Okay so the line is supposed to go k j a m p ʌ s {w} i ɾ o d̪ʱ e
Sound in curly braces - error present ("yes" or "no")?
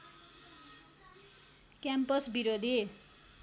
yes